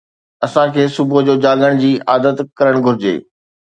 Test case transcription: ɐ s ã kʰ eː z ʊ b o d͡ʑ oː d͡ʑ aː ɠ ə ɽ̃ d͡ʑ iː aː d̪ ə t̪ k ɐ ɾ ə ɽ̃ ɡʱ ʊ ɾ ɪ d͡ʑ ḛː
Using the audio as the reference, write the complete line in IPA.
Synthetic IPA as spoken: ɐ s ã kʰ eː s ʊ b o d͡ʑ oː d͡ʑ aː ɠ ə ɽ̃ d͡ʑ iː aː d̪ ə t̪ k ɐ ɾ ə ɽ̃ ɡʱ ʊ ɾ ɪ d͡ʑ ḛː

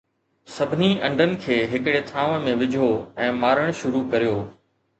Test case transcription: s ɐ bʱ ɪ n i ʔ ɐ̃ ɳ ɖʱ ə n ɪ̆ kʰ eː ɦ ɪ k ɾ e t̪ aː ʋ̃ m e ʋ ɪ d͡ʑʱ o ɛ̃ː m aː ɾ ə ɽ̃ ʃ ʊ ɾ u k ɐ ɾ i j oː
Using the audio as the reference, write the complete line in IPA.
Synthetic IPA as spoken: s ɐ bʱ ɪ n i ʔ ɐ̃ ɳ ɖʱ ə n ɪ̆ kʰ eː ɦ ɪ k ɽ e t̪ʰ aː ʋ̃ m ẽ ʋ ɪ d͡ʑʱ o ɛ̃ː m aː ɾ ə ɽ̃ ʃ ʊ ɾ u k ɐ ɾ i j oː

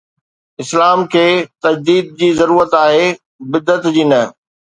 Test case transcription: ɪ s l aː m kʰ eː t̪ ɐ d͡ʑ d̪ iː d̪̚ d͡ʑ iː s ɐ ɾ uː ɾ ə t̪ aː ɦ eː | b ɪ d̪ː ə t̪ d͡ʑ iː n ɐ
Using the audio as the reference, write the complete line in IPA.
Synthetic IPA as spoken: ɪ s l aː m kʰ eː t̪ ɐ d͡ʑ d̪ iː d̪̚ d͡ʑ iː z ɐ ɾ uː ɾ ə t̪ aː ɦ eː | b ɪ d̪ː ə t̪ d͡ʑ iː n ɐ

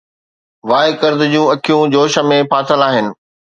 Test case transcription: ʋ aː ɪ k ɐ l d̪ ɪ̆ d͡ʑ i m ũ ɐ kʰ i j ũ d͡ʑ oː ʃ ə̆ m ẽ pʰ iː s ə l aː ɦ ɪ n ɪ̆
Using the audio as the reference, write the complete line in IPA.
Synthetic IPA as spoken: ʋ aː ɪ k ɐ ɾ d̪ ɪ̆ d͡ʑ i ũ ɐ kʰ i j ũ d͡ʑ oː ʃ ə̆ m ẽ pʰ aː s ə l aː ɦ ɪ n ɪ̆

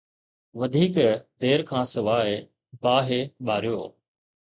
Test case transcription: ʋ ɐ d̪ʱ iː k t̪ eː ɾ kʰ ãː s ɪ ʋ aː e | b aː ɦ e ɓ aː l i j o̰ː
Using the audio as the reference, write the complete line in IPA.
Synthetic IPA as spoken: ʋ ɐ d̪ʱ iː k d̪ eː ɾ kʰ ãː s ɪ ʋ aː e | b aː ɦ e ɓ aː ɾ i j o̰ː

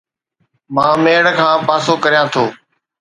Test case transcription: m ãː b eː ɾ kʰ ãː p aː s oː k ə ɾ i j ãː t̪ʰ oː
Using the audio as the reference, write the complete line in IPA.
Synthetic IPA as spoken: m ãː m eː ɽ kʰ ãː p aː s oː k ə ɾ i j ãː t̪ʰ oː

